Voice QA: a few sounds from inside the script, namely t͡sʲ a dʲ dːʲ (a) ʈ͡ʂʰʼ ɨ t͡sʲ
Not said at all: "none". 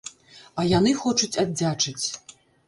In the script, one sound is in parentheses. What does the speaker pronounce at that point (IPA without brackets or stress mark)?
a